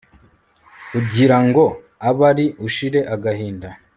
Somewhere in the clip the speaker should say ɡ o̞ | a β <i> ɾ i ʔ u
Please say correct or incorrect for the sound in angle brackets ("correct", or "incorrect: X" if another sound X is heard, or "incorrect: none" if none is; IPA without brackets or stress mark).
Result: incorrect: a